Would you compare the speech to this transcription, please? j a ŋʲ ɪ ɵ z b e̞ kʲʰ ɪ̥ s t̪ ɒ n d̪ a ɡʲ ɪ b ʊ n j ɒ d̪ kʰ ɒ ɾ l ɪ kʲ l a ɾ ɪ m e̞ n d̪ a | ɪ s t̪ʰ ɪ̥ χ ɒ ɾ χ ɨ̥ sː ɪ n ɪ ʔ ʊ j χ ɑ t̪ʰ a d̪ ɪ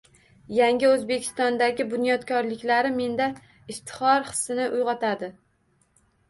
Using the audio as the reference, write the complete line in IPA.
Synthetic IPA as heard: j a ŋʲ ɪ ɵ z b e̞ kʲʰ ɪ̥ s t̪ ɒ n d̪ a ɡʲ ɪ b ʊ n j ɒ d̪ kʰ ɒ ɾ l ɪ kʲ l a ɾ ɪ m e̞ n d̪ a | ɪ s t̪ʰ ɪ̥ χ ɒ ɾ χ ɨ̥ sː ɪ n ɪ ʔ ʊ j ʁ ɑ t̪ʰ a d̪ ɪ